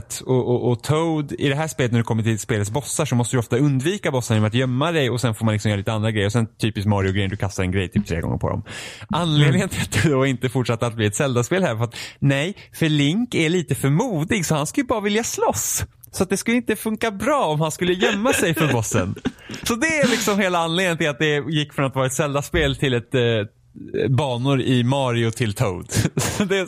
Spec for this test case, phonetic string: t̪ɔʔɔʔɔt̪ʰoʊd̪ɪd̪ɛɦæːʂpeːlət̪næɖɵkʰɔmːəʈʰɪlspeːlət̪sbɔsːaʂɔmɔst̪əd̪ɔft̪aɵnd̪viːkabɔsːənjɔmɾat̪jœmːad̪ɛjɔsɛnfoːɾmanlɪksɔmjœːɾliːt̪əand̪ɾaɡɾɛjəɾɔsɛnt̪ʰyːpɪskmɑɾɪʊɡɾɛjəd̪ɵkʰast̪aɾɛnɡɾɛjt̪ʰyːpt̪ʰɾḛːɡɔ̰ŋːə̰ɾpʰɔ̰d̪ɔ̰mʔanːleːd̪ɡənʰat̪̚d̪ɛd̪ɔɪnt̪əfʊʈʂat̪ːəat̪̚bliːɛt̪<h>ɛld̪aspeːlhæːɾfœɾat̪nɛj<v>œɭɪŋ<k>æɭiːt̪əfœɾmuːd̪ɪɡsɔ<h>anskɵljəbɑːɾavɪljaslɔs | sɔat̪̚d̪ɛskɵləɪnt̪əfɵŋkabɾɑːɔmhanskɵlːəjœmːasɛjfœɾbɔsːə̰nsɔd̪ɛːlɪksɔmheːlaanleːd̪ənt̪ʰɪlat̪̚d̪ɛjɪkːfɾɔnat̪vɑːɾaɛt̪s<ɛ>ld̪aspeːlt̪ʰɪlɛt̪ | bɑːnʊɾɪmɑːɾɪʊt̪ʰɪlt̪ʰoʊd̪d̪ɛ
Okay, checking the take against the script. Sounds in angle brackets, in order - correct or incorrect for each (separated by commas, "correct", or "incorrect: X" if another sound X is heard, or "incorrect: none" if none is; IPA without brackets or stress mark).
incorrect: s, incorrect: f, correct, correct, correct